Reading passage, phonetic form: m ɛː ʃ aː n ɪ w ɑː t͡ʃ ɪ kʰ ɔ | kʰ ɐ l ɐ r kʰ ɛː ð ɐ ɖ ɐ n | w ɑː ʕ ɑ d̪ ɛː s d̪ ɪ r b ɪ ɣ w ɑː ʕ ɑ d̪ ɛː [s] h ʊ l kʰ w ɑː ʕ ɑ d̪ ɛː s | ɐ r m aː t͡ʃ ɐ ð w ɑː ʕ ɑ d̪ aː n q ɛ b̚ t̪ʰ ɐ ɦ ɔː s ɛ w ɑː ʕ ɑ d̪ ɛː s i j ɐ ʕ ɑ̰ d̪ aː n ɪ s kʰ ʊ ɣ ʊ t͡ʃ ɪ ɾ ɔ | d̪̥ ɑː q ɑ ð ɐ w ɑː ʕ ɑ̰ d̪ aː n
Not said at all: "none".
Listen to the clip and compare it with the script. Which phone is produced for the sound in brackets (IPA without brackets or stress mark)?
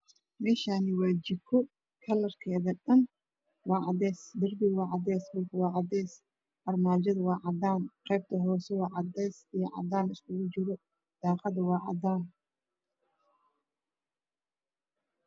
s